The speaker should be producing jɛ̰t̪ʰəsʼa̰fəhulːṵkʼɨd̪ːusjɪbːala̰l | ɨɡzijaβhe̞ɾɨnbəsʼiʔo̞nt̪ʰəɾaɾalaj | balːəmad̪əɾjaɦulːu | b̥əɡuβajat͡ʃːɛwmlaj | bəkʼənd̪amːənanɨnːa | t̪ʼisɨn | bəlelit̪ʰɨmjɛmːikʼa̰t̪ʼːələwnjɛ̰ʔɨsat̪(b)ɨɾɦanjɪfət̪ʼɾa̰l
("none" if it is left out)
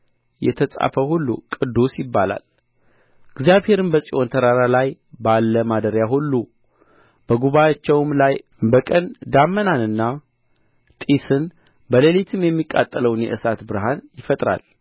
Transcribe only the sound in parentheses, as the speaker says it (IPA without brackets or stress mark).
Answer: b